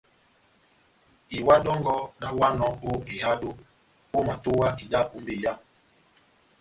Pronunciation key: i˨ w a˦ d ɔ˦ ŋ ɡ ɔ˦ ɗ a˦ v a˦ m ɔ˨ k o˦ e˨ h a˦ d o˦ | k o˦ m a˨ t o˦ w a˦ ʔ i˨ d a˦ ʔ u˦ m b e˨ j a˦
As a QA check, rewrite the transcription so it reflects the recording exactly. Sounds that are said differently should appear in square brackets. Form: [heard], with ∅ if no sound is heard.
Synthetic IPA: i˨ w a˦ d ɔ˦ ŋ ɡ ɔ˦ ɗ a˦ [w] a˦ [n] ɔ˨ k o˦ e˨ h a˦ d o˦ | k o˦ m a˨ t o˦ w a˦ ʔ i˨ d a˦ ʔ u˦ m b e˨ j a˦